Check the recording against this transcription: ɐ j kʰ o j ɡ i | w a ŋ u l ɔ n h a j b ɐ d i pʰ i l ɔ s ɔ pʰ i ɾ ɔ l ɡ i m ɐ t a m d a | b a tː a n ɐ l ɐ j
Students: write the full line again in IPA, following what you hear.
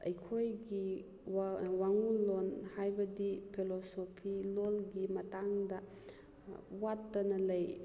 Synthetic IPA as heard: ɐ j kʰ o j ɡ i | w a ŋ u l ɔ n h a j b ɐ d i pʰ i l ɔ s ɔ pʰ i l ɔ l ɡ i m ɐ t a ŋ d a | w a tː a n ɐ l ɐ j